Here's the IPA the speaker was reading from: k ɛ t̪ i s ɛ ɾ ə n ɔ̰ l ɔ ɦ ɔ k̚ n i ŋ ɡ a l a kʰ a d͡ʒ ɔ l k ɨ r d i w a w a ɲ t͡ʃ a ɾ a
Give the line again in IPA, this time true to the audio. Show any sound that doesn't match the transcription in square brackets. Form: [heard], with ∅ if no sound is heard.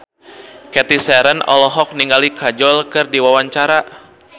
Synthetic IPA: k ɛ t̪ i s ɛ ɾ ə n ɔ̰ l ɔ ɦ ɔ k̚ n i ŋ ɡ a l [i] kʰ a d͡ʒ ɔ l k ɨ r d i w a w a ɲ t͡ʃ a ɾ a